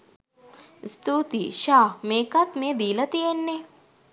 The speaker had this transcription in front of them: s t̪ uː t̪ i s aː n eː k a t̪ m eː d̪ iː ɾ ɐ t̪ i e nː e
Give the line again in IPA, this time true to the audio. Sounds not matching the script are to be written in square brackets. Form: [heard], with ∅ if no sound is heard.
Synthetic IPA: s t̪ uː t̪ i [ʃ] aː [m] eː k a t̪ m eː d̪ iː [l] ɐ t̪ i e nː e